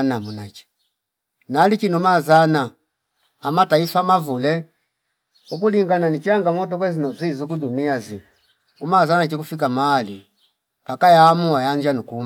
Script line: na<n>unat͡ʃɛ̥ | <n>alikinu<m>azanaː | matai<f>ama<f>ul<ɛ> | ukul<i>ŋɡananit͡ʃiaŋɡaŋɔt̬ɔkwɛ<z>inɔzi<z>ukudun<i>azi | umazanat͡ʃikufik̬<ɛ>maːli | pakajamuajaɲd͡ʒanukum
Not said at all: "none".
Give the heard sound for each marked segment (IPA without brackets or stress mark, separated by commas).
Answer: m, n, m, f, v, ɛ, i, z, z, i, a